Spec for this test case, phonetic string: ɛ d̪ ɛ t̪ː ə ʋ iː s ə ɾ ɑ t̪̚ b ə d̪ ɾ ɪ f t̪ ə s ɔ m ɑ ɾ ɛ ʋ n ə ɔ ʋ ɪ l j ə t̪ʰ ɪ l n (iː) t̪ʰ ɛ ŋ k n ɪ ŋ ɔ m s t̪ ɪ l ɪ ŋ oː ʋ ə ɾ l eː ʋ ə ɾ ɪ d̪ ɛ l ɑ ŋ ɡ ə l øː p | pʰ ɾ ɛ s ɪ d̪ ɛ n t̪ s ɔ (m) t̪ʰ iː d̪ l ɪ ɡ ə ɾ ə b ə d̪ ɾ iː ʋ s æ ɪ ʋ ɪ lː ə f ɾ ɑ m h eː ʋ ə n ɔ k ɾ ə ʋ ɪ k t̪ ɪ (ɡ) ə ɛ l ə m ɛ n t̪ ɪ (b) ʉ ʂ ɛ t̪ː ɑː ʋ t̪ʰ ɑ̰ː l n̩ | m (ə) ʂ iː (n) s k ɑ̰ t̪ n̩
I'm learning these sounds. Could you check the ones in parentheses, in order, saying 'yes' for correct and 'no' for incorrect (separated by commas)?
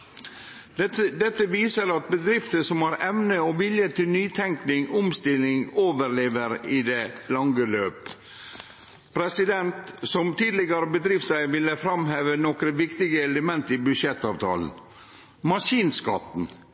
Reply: no, yes, yes, yes, no, yes